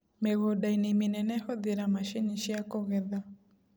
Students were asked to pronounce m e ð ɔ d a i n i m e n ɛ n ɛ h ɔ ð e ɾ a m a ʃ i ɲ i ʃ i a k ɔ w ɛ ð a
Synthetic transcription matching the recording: m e ɣ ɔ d a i n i m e n ɛ n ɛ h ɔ ð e ɾ a m a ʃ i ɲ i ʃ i a k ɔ ɣ ɛ ð a